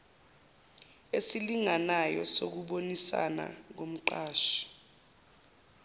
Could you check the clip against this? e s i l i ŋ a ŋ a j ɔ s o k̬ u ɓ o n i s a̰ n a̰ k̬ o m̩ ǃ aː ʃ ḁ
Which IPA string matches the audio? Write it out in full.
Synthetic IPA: e s i l i ŋ a n a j ɔ s o k̬ u ɓ o n i s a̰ n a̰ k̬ o m̩ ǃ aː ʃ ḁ